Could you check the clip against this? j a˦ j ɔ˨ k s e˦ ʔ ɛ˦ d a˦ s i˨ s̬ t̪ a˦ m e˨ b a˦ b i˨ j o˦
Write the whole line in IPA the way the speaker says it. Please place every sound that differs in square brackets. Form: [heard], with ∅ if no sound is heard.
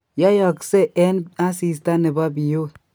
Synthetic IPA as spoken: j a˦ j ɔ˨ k s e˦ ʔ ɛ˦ [n] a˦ s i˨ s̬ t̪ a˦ [n] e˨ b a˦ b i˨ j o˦

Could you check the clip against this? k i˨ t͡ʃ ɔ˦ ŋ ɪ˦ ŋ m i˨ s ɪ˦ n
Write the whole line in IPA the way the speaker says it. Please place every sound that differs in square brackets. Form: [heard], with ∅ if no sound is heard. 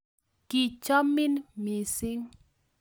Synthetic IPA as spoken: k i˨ t͡ʃ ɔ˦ [m] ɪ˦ [n] m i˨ s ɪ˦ [ŋ]

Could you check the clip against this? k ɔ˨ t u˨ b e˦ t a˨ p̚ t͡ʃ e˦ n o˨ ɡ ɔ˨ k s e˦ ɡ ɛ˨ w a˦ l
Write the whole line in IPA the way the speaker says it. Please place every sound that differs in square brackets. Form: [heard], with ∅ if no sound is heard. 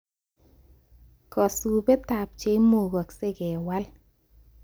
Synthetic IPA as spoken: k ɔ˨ [s] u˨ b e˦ t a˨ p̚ t͡ʃ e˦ [m] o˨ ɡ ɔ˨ k s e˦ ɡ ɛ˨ w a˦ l

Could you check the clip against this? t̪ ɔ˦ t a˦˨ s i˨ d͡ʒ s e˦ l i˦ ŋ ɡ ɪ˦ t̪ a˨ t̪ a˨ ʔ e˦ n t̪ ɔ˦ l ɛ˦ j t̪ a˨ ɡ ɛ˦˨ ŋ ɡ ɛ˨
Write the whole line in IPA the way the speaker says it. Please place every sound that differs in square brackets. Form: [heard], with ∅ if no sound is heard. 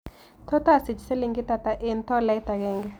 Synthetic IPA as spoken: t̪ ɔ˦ t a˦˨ s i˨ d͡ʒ s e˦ l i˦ ŋ ɡ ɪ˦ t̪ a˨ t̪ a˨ ʔ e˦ n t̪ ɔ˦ l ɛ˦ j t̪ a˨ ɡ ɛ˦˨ ŋ ɡ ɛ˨

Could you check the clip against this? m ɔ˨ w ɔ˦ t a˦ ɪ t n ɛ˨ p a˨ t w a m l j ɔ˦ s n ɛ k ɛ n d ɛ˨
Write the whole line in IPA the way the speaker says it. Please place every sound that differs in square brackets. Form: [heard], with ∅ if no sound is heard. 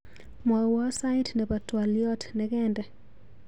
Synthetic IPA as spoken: m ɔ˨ w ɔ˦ [s] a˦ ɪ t n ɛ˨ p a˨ t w a [∅] l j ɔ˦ [t] n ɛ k ɛ n d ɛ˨

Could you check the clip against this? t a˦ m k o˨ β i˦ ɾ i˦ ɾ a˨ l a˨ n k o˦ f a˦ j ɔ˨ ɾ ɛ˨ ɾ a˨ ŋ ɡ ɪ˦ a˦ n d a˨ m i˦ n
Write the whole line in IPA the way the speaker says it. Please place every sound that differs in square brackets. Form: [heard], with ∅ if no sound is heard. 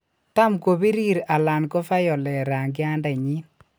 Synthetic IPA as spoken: t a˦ m k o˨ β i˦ ɾ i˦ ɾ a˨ l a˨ n k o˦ f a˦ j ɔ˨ [l] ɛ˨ ɾ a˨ ŋ ɡ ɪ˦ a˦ n d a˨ [ɲ] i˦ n

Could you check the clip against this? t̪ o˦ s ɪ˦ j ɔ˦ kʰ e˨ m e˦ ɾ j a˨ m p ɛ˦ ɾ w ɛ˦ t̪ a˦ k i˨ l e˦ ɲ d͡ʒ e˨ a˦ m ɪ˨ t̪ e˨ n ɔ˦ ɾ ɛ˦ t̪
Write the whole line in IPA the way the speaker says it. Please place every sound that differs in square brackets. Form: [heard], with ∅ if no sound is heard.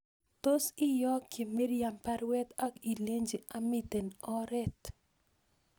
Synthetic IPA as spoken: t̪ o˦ s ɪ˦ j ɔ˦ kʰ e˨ m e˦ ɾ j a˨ m p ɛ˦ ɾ w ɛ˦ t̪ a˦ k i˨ l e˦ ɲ d͡ʒ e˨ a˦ m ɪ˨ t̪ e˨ n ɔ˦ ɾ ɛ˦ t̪

